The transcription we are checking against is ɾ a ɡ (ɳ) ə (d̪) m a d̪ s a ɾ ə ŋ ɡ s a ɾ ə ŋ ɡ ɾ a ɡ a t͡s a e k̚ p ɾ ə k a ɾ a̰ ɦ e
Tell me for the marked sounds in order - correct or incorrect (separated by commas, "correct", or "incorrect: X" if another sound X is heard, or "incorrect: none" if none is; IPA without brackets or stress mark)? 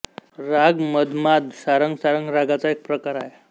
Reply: incorrect: m, correct